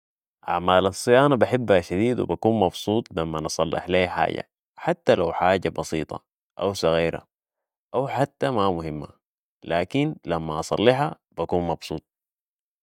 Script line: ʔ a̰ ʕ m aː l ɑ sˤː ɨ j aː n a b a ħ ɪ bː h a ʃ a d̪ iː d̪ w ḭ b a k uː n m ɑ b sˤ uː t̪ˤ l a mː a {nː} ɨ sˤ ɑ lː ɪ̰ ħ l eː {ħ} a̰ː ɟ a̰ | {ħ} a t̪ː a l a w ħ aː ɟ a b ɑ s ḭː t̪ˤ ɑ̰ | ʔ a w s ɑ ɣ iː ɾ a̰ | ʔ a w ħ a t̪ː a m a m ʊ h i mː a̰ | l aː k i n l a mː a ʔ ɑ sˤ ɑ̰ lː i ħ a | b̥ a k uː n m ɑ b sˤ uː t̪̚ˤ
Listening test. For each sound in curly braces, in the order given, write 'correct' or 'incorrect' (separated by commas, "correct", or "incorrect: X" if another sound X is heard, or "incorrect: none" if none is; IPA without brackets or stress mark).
incorrect: n, correct, correct